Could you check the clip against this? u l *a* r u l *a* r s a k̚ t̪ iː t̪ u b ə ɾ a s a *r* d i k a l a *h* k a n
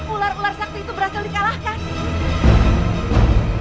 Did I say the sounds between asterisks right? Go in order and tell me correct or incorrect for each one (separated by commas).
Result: correct, correct, incorrect, correct